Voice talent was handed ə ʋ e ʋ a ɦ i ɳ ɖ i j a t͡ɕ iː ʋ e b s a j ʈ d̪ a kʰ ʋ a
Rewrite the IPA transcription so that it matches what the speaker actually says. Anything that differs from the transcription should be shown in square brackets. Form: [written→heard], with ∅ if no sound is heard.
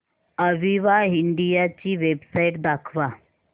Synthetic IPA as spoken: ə ʋ [e→i] ʋ a ɦ i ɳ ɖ i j a t͡ɕ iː ʋ e b s a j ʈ d̪ a kʰ ʋ a